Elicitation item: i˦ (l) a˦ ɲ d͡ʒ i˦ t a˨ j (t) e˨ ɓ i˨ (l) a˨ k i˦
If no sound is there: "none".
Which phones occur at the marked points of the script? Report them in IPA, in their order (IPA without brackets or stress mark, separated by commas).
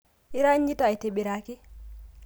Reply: ɾ, t, ɾ